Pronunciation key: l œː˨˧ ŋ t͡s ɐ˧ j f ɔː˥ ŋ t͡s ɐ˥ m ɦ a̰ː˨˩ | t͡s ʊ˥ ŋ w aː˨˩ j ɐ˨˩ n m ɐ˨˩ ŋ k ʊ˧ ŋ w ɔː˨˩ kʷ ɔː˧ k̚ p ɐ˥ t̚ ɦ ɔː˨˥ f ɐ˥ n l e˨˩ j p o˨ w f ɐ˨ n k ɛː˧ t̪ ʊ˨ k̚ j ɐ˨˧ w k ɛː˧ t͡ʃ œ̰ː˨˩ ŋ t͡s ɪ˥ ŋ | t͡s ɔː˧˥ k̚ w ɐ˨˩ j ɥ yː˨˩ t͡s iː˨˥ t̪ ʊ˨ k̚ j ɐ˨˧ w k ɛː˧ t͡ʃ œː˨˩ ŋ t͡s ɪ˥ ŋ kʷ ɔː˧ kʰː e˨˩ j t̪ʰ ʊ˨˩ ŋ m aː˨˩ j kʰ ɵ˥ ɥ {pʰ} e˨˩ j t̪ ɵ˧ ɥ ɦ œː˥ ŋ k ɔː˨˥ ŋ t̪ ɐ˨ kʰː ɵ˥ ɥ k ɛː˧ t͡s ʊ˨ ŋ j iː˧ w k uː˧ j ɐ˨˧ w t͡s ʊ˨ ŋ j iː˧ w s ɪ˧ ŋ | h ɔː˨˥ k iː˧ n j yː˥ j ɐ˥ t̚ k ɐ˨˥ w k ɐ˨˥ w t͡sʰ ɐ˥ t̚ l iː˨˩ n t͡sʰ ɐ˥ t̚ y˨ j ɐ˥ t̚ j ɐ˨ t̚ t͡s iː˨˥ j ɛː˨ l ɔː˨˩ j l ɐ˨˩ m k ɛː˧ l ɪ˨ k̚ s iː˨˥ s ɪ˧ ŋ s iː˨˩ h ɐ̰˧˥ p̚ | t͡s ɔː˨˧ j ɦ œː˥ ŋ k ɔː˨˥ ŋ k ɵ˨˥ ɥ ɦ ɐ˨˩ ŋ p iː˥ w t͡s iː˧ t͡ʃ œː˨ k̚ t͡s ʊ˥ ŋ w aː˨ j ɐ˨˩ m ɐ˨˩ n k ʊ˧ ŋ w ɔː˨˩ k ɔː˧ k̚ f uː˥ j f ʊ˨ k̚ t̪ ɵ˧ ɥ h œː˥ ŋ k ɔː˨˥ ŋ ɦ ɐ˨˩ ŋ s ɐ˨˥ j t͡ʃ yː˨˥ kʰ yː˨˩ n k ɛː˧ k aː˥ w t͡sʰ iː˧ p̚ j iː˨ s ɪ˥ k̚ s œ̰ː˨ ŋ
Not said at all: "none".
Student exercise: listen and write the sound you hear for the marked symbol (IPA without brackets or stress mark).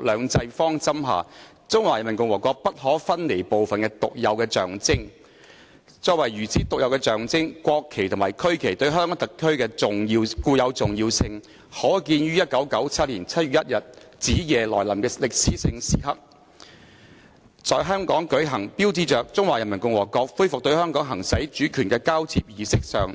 kʰ